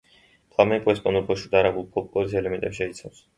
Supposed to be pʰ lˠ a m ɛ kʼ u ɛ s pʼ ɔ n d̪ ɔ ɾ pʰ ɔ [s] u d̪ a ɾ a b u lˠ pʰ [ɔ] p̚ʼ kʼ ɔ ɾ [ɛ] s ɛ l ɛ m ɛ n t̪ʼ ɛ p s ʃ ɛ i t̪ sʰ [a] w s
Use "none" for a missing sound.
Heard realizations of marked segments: ʃ, ɔ, i, a

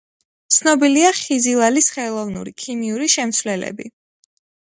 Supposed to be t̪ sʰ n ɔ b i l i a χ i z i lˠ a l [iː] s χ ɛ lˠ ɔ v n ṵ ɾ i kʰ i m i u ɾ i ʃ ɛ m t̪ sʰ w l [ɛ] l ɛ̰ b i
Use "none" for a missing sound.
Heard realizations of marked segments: i, ɛ

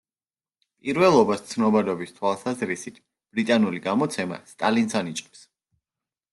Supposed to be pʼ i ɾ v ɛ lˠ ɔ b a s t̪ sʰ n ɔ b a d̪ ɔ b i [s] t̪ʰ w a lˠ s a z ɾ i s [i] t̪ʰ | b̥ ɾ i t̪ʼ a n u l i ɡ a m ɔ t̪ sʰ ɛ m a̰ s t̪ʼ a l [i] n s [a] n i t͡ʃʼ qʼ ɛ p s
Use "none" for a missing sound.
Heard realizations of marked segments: s, i, i, a

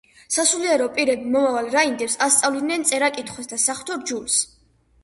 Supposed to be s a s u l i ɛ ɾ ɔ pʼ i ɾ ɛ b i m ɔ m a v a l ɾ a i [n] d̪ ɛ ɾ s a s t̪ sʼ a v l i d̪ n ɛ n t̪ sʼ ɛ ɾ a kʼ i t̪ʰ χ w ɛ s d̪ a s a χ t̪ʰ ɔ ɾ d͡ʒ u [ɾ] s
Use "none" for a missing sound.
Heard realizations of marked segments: n, l

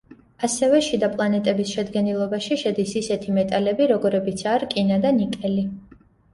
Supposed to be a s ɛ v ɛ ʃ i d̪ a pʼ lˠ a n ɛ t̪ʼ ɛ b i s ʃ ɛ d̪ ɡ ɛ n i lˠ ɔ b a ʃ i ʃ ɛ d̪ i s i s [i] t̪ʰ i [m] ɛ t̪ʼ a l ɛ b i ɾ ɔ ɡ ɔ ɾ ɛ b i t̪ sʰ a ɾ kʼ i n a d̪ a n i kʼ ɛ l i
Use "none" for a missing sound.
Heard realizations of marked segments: ɛ, m

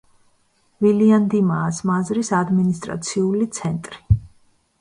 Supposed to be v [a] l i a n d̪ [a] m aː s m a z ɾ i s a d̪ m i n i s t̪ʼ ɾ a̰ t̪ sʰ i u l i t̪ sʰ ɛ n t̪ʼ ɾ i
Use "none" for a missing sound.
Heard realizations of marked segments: i, i

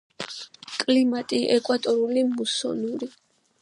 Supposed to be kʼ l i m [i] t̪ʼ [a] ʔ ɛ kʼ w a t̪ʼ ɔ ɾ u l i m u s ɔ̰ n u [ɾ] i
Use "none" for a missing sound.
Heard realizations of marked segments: a, i, ɾ

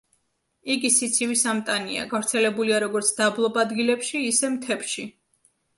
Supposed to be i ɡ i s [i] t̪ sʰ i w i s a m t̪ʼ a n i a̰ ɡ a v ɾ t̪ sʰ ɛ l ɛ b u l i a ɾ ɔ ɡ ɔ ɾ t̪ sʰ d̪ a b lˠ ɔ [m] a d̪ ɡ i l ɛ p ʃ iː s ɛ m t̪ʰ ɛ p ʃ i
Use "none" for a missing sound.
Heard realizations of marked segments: i, b

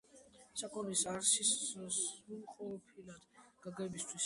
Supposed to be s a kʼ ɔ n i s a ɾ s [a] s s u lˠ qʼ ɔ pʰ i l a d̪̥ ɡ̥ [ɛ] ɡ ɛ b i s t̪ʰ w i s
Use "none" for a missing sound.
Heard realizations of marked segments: i, a

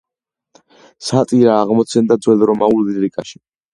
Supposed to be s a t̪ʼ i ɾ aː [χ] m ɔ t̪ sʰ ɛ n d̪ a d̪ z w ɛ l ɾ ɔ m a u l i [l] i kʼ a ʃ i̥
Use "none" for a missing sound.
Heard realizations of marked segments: ʁ, ɾ

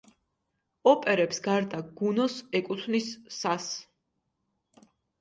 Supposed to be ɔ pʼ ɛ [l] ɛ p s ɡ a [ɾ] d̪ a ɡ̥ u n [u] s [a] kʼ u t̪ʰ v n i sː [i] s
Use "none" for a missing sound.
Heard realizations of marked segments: ɾ, ɾ, ɔ, ɛ, a

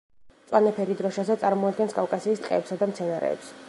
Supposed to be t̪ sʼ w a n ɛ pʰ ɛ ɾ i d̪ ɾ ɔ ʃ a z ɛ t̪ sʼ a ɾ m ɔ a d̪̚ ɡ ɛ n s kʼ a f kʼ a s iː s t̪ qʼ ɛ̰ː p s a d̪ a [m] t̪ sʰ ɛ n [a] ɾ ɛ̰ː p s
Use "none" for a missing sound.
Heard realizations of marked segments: m, a

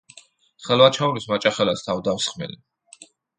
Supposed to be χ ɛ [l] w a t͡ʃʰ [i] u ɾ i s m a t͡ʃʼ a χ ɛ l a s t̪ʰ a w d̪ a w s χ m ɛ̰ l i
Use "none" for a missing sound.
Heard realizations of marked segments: l, a

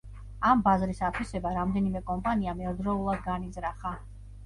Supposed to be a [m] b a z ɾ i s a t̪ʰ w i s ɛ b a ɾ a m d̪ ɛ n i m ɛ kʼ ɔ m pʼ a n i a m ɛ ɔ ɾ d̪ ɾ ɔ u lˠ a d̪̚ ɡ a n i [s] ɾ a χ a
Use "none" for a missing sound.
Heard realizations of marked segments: m, z

